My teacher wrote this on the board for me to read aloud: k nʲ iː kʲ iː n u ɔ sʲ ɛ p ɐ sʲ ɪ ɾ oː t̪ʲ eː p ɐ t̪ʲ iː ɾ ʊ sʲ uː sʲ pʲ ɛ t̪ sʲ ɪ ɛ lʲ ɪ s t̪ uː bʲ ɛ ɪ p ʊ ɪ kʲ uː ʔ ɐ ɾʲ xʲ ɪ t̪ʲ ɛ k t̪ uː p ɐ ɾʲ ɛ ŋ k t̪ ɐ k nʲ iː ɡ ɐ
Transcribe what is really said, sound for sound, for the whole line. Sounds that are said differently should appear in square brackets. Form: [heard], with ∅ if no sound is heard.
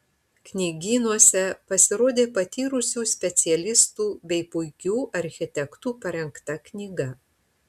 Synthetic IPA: k nʲ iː [ɡʲ] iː n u ɔ sʲ ɛ p ɐ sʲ ɪ ɾ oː [d̪ʲ] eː p ɐ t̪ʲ iː ɾ ʊ sʲ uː sʲ pʲ ɛ t̪ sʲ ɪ ɛ lʲ ɪ s t̪ uː bʲ ɛ ɪ p ʊ ɪ kʲ uː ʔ ɐ ɾʲ xʲ ɪ t̪ʲ ɛ k t̪ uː p ɐ ɾʲ ɛ ŋ k t̪ ɐ k nʲ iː ɡ ɐ